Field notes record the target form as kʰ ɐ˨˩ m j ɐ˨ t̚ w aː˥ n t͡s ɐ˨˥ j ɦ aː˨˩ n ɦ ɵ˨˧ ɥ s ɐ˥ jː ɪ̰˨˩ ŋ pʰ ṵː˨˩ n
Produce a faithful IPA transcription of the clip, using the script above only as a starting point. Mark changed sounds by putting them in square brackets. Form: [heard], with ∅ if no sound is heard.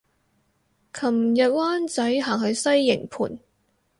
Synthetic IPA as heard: kʰ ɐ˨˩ m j ɐ˨ t̚ w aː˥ n t͡s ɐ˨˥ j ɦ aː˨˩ [ŋ] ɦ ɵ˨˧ ɥ s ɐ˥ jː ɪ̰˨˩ ŋ pʰ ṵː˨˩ n